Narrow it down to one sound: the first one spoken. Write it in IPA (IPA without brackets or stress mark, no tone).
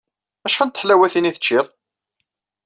æ